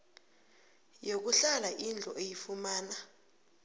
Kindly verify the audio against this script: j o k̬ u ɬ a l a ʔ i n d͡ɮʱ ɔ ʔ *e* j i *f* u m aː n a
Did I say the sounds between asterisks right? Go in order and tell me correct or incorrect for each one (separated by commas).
correct, correct